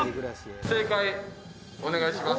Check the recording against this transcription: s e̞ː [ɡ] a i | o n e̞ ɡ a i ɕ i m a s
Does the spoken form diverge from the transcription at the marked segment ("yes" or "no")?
yes